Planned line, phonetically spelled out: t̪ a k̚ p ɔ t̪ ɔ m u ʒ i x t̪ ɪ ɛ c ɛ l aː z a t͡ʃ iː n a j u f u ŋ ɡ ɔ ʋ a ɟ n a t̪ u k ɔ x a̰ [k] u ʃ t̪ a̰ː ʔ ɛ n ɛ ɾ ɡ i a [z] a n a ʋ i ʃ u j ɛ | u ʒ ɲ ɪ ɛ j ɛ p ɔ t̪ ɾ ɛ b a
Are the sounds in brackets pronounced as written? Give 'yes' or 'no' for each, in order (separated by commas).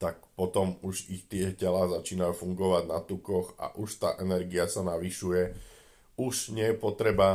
no, no